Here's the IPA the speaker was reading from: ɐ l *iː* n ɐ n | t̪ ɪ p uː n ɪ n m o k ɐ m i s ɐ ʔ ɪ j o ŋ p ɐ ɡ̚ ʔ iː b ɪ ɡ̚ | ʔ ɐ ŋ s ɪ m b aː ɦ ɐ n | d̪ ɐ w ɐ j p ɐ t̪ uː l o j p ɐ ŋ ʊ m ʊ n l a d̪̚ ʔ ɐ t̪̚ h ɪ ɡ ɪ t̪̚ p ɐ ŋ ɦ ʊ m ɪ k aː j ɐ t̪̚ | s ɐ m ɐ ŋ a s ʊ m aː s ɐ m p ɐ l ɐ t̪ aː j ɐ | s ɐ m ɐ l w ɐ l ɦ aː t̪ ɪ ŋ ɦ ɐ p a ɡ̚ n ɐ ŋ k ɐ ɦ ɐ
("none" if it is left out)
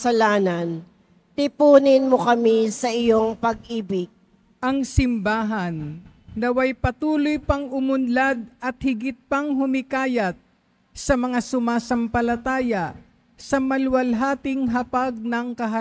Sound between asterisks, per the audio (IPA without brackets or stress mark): aː